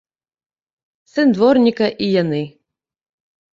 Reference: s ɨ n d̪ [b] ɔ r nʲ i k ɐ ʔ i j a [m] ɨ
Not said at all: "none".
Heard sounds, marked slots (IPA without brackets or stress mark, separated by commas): v, n